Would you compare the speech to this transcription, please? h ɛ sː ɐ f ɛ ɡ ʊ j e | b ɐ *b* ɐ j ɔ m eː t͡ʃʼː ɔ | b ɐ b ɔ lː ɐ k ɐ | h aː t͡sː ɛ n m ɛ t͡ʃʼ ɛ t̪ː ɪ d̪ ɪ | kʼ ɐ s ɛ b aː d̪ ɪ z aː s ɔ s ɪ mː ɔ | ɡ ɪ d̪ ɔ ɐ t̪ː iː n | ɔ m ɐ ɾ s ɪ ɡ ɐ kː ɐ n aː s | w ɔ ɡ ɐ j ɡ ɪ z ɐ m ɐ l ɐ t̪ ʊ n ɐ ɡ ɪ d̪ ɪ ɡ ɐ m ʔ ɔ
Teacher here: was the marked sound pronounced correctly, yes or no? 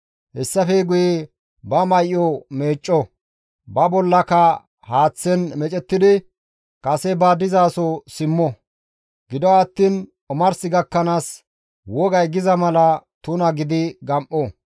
no